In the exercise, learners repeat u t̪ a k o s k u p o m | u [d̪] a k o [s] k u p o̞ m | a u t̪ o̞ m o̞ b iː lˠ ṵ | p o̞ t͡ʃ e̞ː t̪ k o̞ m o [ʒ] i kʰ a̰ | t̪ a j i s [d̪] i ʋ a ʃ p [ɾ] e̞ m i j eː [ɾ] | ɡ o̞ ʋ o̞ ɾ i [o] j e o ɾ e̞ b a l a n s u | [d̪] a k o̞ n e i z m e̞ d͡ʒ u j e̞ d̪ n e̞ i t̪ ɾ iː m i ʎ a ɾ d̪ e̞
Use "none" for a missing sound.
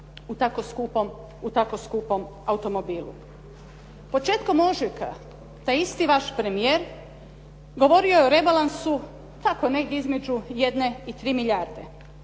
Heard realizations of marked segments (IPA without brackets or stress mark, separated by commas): t̪, s, ʒ, t̪, ɾ, ɾ, o, t̪